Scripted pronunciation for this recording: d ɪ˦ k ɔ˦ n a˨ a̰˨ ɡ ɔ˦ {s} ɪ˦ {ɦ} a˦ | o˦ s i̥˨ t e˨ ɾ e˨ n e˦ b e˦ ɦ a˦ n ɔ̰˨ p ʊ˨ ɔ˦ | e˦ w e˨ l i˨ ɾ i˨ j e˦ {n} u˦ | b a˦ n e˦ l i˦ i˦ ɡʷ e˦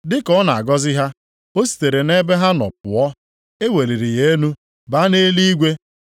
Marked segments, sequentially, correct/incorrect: incorrect: z, correct, correct

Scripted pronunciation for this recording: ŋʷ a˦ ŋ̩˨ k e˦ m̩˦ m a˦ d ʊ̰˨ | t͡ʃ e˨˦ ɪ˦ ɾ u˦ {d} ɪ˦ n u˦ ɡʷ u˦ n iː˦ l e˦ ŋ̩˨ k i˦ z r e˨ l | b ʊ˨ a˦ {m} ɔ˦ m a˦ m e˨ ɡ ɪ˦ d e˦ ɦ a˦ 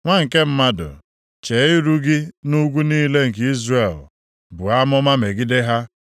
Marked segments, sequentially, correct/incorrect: incorrect: ɡ, correct

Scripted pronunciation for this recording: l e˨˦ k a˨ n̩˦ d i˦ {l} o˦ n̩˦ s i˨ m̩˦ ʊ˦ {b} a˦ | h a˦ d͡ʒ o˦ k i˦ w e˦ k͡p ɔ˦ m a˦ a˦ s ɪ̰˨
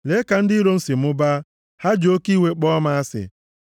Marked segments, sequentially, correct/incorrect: incorrect: ɾ, correct

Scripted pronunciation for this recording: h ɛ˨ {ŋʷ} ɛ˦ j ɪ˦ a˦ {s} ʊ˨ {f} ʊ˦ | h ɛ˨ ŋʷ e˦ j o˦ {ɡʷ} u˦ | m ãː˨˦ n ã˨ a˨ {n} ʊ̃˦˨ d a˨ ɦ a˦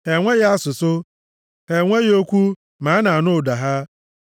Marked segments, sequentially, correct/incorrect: correct, correct, incorrect: s, incorrect: kʷ, correct

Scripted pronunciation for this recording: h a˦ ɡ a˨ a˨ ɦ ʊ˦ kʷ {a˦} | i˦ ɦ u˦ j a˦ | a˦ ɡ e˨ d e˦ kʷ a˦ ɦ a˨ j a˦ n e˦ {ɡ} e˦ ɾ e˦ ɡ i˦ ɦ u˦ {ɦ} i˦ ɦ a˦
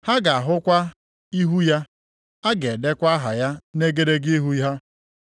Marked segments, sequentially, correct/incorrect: correct, correct, incorrect: none

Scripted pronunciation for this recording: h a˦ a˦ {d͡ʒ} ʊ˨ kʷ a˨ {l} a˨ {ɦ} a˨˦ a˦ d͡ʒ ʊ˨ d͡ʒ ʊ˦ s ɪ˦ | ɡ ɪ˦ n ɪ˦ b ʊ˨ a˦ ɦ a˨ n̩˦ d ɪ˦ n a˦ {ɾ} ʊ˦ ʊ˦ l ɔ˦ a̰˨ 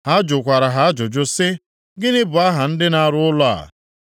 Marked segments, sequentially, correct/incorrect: correct, incorrect: ɾ, correct, correct

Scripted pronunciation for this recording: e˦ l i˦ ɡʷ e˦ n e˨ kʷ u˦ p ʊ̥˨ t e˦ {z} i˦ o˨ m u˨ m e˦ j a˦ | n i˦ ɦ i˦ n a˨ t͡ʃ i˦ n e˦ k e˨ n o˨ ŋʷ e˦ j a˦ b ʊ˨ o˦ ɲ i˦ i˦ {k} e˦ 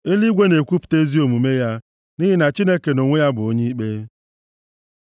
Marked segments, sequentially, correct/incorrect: correct, incorrect: k͡p

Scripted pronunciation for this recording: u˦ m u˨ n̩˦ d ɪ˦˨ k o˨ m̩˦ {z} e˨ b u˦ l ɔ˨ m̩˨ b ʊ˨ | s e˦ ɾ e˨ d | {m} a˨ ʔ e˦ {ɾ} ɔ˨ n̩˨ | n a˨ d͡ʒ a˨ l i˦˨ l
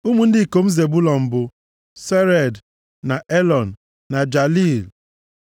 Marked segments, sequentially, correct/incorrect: correct, incorrect: n, incorrect: l

